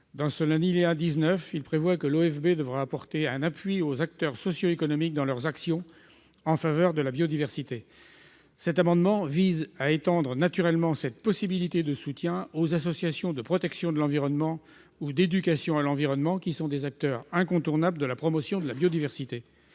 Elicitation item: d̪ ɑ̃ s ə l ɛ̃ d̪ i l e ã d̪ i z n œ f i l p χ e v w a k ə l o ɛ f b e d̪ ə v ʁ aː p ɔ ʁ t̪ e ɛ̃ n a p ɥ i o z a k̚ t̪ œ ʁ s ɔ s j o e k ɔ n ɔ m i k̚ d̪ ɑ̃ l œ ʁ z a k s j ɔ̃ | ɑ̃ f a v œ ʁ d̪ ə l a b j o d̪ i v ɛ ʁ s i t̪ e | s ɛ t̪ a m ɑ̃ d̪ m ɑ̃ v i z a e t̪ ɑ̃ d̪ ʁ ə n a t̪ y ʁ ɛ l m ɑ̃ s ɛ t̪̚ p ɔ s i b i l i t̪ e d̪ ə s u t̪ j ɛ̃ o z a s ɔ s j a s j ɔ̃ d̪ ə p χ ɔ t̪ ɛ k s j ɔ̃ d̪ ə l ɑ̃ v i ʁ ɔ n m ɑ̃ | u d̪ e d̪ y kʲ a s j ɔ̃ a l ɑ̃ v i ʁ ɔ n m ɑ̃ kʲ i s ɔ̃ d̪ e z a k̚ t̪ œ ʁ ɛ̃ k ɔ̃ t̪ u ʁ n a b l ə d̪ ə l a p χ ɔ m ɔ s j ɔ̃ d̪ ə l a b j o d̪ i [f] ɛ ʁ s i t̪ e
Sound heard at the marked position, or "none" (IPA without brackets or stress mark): v